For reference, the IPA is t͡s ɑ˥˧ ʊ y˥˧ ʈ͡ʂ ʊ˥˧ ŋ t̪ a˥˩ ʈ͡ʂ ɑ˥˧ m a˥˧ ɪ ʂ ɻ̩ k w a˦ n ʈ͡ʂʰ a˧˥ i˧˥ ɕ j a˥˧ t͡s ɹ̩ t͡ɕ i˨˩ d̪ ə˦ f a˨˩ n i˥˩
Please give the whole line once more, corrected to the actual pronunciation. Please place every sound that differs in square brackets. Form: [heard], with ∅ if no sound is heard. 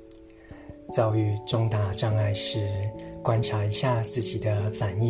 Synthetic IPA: t͡s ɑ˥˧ ʊ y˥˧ ʈ͡ʂ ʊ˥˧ ŋ t̪ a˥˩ ʈ͡ʂ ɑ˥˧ [ŋ] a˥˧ ɪ ʂ ɻ̩ k w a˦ n ʈ͡ʂʰ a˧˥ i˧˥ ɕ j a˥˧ t͡s ɹ̩ t͡ɕ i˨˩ d̪ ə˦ f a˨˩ n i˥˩